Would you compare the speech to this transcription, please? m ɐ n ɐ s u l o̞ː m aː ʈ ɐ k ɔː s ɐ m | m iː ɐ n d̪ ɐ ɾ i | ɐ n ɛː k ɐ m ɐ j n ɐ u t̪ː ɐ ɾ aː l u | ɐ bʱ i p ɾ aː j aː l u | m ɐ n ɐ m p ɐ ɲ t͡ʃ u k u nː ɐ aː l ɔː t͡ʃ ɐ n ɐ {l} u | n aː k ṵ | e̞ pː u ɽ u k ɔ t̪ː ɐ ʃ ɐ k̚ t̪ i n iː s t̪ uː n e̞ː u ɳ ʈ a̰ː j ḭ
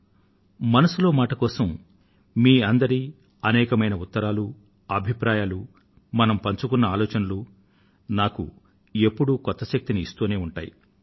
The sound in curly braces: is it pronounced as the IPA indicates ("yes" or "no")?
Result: yes